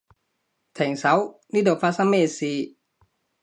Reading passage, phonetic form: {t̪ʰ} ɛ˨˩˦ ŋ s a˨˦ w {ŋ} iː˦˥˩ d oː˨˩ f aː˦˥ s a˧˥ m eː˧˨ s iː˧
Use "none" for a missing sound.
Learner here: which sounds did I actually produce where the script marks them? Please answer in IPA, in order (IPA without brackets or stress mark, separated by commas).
t̪ʰ, n